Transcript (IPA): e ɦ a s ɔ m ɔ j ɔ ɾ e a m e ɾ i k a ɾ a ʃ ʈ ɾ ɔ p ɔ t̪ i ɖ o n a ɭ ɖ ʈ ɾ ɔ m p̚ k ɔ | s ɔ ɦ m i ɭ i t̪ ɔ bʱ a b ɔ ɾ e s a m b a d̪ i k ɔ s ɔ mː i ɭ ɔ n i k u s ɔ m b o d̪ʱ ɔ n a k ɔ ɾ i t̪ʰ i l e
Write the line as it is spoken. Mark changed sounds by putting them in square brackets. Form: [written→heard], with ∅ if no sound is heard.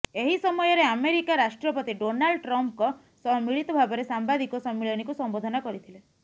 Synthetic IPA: e ɦ [a→i] s ɔ m ɔ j ɔ ɾ e a m e ɾ i k a ɾ a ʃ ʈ ɾ ɔ p ɔ t̪ i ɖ o n a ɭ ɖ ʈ ɾ ɔ m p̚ k ɔ | s ɔ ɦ m i ɭ i t̪ ɔ bʱ a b ɔ ɾ e s a m b a d̪ i k ɔ s ɔ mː i ɭ ɔ n i k u s ɔ m b o d̪ʱ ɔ n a k ɔ ɾ i t̪ʰ i l e